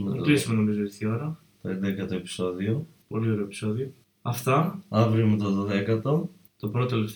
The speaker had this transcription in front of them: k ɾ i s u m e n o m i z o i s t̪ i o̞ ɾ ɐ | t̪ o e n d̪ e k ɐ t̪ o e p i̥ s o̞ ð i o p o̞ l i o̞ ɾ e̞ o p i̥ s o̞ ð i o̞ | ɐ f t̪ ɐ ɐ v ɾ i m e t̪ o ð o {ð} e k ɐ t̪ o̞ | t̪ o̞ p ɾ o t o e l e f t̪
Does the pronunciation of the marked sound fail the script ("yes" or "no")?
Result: no